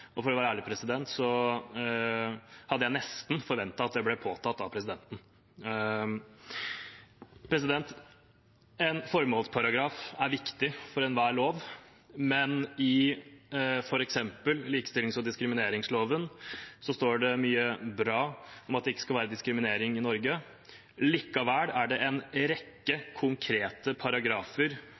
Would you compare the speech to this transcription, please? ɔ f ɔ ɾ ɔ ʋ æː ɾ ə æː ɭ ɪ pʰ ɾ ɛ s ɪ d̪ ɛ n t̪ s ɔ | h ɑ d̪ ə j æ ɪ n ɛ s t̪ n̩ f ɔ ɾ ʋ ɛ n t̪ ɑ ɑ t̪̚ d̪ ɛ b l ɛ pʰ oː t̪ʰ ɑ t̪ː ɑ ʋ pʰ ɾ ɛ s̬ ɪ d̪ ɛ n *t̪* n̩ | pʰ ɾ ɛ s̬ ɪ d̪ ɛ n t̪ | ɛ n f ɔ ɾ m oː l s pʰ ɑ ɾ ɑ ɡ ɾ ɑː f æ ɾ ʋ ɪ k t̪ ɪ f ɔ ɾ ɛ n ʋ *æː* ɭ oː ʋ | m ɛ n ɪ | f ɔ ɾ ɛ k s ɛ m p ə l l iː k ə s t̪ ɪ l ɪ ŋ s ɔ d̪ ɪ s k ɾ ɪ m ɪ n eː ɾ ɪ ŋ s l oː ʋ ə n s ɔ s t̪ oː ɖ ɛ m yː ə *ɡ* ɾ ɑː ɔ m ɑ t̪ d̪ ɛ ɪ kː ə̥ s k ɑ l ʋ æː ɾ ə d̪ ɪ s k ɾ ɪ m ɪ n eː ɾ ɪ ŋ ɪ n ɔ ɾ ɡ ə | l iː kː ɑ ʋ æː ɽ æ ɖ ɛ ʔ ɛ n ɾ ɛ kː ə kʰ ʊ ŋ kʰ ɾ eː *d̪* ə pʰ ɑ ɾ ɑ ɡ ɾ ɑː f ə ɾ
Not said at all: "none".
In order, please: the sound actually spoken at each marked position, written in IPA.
t̪, æː, b, t̪

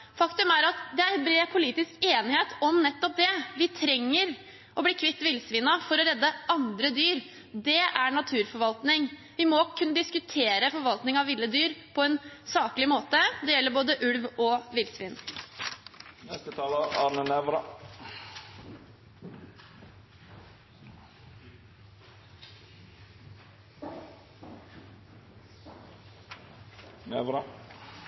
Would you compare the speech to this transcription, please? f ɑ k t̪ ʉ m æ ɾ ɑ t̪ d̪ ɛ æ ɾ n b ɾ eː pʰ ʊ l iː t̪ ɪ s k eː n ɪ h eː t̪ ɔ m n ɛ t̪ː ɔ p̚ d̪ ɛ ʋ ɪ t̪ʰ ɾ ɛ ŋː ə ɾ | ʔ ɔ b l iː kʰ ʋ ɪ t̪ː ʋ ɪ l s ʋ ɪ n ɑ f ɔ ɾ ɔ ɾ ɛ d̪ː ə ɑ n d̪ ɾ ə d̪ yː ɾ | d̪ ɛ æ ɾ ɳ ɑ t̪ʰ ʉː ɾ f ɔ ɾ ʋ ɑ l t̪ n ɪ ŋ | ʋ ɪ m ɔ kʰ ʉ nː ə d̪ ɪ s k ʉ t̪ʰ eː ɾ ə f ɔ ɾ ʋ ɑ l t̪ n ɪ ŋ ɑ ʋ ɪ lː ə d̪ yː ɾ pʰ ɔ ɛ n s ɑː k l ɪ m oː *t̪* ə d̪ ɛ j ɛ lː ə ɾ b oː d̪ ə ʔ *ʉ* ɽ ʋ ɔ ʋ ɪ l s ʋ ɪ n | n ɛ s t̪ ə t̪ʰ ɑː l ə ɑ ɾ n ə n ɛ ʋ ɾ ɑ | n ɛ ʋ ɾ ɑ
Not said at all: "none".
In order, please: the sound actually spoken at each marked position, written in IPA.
t̪, ʉ

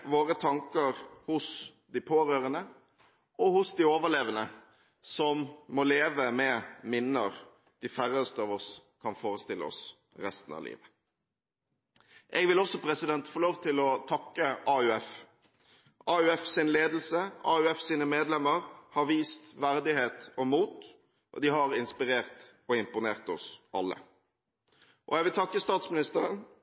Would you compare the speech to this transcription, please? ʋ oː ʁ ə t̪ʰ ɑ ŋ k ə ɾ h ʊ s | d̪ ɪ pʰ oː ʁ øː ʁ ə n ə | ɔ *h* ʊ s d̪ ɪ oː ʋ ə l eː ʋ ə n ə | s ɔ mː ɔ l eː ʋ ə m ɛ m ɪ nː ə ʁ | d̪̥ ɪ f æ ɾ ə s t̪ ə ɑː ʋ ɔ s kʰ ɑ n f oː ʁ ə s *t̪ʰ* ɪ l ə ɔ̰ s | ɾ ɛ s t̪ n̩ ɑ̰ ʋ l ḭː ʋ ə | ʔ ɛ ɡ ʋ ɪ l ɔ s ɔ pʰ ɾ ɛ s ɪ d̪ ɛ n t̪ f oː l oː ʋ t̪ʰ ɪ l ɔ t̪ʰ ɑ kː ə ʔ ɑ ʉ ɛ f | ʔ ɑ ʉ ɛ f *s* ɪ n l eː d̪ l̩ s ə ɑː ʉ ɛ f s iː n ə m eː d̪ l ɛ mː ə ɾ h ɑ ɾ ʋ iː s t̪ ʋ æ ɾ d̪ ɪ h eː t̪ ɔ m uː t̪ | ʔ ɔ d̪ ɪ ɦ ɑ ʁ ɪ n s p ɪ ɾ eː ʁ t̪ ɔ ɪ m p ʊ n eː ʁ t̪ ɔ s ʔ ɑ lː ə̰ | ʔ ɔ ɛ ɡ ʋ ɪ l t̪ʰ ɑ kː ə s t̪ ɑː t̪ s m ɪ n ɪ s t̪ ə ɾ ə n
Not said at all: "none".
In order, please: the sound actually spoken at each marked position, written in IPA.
h, t̪, s

